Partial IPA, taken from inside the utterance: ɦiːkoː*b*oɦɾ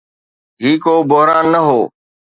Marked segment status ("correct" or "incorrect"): correct